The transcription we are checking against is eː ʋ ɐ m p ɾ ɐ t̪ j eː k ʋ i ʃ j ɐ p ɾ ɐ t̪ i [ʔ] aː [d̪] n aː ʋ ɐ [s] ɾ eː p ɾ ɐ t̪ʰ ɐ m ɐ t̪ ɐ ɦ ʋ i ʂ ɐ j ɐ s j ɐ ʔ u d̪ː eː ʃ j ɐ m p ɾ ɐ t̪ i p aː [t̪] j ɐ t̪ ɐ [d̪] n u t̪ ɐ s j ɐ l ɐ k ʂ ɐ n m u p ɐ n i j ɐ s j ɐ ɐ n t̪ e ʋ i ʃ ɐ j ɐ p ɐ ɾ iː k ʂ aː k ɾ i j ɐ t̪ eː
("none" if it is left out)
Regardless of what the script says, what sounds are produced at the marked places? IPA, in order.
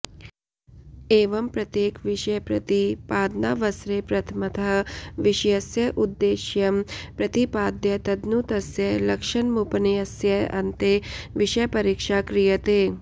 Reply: p, d̪, s, d̪, d̪

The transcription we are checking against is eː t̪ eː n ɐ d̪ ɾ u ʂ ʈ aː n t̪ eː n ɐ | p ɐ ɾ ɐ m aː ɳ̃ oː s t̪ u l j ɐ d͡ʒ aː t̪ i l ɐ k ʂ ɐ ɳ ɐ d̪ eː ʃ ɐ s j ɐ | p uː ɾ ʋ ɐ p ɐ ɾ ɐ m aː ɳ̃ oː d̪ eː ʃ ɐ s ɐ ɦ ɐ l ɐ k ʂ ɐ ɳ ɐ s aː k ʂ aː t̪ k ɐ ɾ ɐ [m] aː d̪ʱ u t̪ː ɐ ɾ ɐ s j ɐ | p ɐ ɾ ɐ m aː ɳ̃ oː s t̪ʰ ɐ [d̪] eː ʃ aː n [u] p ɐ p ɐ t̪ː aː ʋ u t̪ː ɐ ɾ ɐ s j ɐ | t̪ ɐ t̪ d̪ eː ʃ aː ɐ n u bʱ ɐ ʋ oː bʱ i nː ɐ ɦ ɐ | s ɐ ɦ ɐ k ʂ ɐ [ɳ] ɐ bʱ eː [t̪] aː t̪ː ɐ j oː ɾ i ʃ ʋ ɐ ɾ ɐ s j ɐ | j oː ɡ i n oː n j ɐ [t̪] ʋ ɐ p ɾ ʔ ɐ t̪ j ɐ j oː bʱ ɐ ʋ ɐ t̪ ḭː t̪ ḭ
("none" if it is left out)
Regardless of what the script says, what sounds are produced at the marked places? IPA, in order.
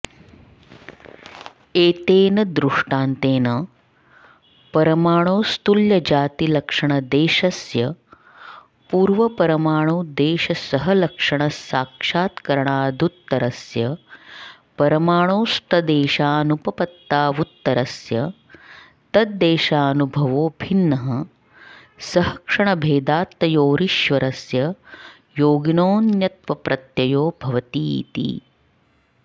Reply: ɳ, d̪, u, ɳ, d̪, t̪

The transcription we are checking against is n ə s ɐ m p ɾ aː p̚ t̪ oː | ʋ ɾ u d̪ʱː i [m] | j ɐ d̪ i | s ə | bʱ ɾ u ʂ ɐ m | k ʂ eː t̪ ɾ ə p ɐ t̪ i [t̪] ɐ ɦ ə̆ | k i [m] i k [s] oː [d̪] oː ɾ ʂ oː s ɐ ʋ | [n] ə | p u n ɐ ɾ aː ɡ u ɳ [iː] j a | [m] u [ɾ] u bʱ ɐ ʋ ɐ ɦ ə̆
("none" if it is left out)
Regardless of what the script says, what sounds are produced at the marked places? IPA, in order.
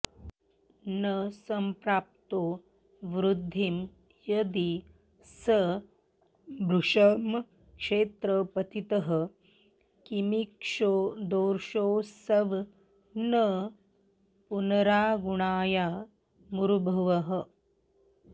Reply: m, t̪, m, ʂ, d̪, n, aː, m, ɾ

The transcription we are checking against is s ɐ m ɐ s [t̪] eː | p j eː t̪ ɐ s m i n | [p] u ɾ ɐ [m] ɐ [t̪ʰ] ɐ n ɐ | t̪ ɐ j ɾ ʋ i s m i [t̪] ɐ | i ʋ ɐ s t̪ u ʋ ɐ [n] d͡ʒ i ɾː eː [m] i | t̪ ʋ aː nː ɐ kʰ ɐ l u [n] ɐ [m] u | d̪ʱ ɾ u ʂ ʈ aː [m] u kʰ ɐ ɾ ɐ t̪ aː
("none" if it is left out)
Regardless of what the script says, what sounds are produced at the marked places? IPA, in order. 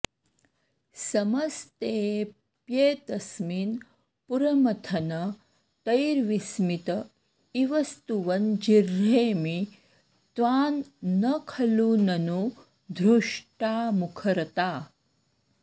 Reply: t̪, p, m, t̪ʰ, t̪, n, m, n, n, m

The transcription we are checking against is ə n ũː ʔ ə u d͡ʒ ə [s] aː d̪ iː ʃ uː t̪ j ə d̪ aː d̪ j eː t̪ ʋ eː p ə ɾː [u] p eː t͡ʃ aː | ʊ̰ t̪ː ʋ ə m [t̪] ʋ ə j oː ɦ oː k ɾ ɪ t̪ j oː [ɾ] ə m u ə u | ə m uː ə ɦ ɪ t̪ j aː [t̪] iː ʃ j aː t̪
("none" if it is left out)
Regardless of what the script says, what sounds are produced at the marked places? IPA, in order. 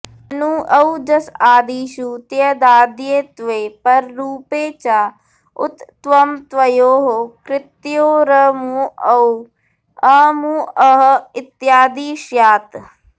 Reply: s, uː, t̪, ɾ, d̪

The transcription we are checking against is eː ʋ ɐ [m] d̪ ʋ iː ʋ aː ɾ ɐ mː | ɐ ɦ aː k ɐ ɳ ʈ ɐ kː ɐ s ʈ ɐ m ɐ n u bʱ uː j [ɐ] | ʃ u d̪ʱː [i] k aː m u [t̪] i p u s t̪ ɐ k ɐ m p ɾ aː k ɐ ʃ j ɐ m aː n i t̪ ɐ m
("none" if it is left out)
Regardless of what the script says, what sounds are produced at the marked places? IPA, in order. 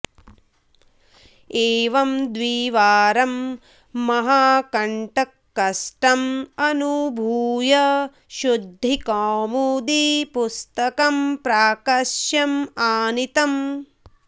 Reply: m, ɐ, i, d̪

